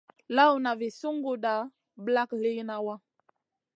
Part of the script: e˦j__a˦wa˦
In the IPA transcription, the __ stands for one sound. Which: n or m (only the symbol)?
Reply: n